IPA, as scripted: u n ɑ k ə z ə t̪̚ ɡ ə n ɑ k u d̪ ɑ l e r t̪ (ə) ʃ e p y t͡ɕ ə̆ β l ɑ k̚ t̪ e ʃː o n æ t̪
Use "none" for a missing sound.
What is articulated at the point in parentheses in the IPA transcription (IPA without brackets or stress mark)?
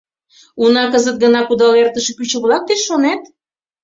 ə